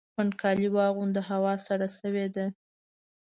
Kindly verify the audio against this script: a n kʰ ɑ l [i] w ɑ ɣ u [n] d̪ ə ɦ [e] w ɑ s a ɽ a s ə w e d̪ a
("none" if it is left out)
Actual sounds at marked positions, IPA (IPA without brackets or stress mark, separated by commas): i, n, a